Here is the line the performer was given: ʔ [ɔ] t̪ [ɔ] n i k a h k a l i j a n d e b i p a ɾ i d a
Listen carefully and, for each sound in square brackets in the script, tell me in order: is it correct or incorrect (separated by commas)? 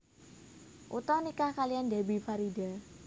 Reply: incorrect, correct